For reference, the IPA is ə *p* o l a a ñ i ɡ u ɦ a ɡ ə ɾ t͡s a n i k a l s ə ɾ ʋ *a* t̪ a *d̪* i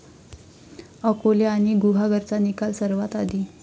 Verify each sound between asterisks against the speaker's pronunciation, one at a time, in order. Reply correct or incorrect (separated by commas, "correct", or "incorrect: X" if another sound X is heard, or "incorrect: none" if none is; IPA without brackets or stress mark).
incorrect: k, correct, correct